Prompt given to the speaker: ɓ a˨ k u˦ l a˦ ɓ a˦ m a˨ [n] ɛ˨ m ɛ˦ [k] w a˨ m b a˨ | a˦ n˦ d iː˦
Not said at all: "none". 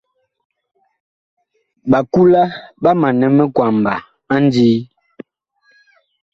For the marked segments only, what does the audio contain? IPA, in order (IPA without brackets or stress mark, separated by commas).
n, k